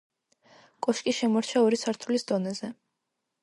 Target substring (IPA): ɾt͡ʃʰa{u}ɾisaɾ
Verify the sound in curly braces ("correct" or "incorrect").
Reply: incorrect